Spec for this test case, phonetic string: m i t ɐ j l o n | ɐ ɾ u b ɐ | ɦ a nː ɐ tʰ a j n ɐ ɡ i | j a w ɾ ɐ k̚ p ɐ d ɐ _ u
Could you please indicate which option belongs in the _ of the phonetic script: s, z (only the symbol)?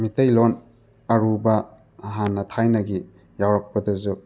z